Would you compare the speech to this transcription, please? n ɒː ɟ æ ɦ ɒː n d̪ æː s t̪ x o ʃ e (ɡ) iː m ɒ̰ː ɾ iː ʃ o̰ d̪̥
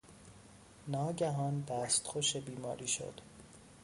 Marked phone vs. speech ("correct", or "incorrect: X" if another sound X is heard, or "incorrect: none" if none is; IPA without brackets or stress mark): incorrect: b